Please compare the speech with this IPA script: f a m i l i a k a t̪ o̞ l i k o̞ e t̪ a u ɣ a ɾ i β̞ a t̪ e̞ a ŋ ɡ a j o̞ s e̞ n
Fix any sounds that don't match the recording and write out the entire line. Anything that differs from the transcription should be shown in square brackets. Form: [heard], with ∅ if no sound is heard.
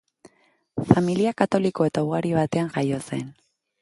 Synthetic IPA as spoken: f a m i l i a k a t̪ o̞ l i k o̞ e t̪ a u ɣ a ɾ i β̞ a t̪ e̞ a ŋ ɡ a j o̞ s e̞ n